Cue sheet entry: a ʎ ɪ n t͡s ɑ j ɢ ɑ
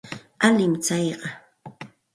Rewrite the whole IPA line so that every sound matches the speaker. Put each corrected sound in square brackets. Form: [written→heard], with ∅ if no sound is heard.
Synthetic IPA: a [ʎ→l] ɪ [n→m] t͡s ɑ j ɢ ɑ